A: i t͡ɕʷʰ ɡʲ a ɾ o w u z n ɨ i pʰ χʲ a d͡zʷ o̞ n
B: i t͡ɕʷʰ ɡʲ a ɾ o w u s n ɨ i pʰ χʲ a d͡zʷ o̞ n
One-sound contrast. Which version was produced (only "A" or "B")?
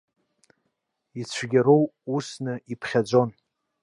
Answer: B